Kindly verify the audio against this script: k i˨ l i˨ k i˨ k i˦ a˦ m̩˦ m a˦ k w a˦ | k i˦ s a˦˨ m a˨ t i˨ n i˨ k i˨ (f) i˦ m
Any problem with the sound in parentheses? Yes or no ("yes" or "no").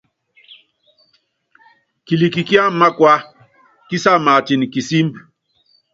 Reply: yes